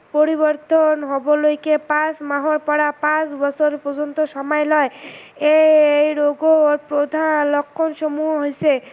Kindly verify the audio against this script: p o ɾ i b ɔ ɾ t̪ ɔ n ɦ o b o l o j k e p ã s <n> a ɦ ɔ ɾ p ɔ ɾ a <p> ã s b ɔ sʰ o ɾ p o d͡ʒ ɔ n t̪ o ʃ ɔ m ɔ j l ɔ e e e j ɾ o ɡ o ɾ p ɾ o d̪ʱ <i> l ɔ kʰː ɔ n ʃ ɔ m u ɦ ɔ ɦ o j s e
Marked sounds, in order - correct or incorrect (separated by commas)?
incorrect, correct, incorrect